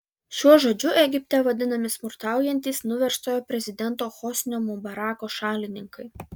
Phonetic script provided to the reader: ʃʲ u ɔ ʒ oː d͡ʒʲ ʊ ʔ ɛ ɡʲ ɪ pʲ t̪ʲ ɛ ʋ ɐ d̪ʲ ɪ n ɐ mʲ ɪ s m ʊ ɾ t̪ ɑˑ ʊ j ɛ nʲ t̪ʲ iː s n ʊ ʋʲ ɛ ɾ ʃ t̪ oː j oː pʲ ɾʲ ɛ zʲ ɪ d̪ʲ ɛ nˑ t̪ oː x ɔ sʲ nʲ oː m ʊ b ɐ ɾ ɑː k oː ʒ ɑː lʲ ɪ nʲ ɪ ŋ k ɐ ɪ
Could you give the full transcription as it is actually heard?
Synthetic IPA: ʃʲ u ɔ ʒ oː d͡ʒʲ ʊ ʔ ɛ ɡʲ ɪ pʲ t̪ʲ ɛ ʋ ɐ d̪ʲ ɪ n ɐ mʲ ɪ s m ʊ ɾ t̪ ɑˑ ʊ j ɛ nʲ t̪ʲ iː s n ʊ ʋʲ ɛ ɾ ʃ t̪ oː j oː pʲ ɾʲ ɛ zʲ ɪ d̪ʲ ɛ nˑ t̪ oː x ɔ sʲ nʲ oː m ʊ b ɐ ɾ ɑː k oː ʃ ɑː lʲ ɪ nʲ ɪ ŋ k ɐ ɪ